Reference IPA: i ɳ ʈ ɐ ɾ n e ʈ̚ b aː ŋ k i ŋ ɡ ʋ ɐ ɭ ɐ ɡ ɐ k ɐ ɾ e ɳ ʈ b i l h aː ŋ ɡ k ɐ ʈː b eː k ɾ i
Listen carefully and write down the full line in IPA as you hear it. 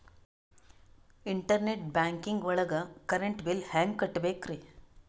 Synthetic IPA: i ɳ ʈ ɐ ɾ n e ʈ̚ b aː ŋ k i ŋ ɡ ʋ ɐ ɭ ɐ ɡ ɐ k ɐ ɾ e ɳ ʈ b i l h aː ŋ ɡ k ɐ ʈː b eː k ɾ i

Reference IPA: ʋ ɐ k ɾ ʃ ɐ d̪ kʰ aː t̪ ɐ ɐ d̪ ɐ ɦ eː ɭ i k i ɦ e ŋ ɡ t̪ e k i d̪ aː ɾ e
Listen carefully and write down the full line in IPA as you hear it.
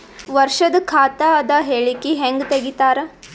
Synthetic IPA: ʋ ɐ ɾ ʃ ɐ d̪ kʰ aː t̪ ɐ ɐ d̪ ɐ ɦ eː ɭ i k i ɦ e ŋ ɡ t̪ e ɡ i t̪ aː ɾ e

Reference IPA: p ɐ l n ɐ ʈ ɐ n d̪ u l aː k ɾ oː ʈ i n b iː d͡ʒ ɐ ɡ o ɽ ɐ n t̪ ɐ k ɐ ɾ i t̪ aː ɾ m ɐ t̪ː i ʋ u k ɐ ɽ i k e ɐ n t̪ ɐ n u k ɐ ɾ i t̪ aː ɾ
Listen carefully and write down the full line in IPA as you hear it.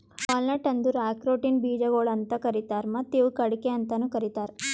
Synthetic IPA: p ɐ l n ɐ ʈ ɐ n d̪ u ɾ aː k ɾ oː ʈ i n b iː d͡ʒ ɐ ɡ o ɭ ɐ n t̪ ɐ k ɐ ɾ i t̪ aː ɾ m ɐ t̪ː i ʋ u k ɐ ɽ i k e ɐ n t̪ ɐ n u k ɐ ɾ i t̪ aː ɾ

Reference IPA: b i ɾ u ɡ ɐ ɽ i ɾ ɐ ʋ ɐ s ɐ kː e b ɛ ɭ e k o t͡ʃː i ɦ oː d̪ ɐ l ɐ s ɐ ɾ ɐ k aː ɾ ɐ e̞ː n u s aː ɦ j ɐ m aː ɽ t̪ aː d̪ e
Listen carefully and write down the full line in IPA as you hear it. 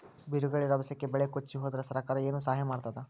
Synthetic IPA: b i ɾ u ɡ ɐ ɭ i ɾ ɐ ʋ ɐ s ɐ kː e b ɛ ɭ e k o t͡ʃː i ɦ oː d̪ ɐ ɾ ɐ s ɐ ɾ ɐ k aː ɾ ɐ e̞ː n u s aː ɦ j ɐ m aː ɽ t̪ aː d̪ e

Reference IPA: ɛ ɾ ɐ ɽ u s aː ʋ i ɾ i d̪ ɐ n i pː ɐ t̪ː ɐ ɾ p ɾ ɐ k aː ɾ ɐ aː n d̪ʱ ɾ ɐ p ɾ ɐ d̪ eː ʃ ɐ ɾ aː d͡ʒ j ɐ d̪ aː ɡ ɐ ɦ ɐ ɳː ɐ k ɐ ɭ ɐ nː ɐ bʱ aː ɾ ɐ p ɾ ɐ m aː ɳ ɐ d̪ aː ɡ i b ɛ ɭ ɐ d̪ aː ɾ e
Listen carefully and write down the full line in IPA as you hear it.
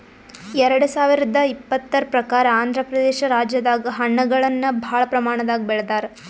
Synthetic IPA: ɛ ɾ ɐ ɽ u s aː ʋ i ɾ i d̪ ɐ i pː ɐ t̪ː ɐ ɾ p ɾ ɐ k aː ɾ ɐ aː n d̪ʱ ɾ ɐ p ɾ ɐ d̪ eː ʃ ɐ ɾ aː d͡ʒ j ɐ d̪ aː ɡ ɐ ɦ ɐ ɳː ɐ ɡ ɐ ɭ ɐ nː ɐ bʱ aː ɭ ɐ p ɾ ɐ m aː ɳ ɐ d̪ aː ɡ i b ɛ ɭ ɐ d̪ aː ɾ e

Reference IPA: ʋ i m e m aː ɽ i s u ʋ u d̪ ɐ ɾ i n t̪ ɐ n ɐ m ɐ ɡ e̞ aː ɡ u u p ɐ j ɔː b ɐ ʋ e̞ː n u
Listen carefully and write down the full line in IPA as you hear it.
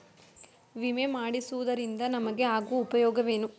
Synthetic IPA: ʋ i m e m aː ɽ i s u ʋ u d̪ ɐ ɾ i n d̪ ɐ n ɐ m ɐ ɡ e̞ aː ɡ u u p ɐ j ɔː ɡ ɐ ʋ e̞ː n u

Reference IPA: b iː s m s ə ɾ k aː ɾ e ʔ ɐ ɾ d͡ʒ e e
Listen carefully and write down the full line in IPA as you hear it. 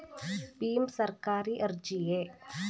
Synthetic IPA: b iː m s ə ɾ k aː ɾ i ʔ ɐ ɾ d͡ʒ i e

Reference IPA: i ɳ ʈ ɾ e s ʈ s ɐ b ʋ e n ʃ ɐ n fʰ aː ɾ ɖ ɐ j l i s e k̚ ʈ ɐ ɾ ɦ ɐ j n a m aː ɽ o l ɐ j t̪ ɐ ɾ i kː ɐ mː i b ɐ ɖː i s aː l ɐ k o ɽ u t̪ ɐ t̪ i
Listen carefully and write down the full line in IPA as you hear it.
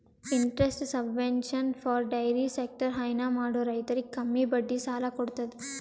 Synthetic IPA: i ɳ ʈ ɾ e s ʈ s ɐ b ʋ e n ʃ ɐ n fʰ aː ɾ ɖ ɐ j ɾ i s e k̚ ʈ ɐ ɾ ɦ ɐ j n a m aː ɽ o ɾ ɐ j t̪ ɐ ɾ i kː ɐ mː i b ɐ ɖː i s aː l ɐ k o ɽ u t̪ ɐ d̪ i

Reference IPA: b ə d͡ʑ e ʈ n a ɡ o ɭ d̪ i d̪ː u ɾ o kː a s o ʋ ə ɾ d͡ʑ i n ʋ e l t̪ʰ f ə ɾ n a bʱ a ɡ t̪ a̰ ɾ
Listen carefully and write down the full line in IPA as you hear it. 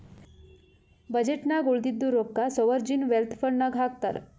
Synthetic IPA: b ə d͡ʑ e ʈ n a ɡ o ɭ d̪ i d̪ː u ɾ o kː a s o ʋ ə ɾ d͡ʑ i n ʋ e l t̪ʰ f ə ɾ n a ɡʱ a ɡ t̪ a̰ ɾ

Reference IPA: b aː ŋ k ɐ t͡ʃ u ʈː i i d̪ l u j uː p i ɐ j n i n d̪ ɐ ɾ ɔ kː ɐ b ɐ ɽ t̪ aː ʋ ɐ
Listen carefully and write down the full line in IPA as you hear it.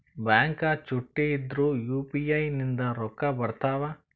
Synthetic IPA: b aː ŋ k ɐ t͡ʃ u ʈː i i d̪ ɾ u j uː p i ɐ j n i n d̪ ɐ ɾ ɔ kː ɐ b ɐ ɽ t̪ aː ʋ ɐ

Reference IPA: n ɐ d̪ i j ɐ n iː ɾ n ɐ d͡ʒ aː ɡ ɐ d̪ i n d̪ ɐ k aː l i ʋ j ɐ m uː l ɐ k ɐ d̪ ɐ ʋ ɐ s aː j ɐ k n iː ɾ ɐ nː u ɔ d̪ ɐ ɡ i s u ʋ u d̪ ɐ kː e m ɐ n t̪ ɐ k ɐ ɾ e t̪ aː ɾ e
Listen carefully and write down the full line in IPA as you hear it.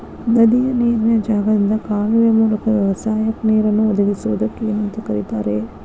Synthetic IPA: n ɐ d̪ i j ɐ n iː ɾ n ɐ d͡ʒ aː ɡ ɐ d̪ i n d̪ ɐ k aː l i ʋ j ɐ m uː l ɐ k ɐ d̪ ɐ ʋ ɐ s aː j ɐ k n iː ɾ ɐ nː u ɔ d̪ ɐ ɡ i s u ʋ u d̪ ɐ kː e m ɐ n t̪ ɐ k ɐ ɾ i t̪ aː ɾ e

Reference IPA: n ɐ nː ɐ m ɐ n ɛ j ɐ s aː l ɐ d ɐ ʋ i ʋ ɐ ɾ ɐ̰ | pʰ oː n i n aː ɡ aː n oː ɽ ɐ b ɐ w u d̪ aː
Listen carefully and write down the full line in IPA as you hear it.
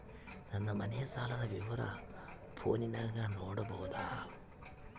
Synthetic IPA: n ɐ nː ɐ m ɐ n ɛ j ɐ s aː l ɐ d ɐ ʋ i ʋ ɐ ɾ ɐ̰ | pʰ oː n i n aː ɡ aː n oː ɽ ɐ b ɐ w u d̪ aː

